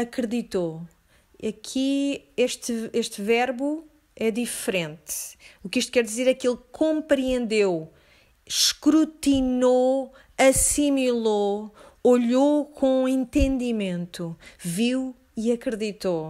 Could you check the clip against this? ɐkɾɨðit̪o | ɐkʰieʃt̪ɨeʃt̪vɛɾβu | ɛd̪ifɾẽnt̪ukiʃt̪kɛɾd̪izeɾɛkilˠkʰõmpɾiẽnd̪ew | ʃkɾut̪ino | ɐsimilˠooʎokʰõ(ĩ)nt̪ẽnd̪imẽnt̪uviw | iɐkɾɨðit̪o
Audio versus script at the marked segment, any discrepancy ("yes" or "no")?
yes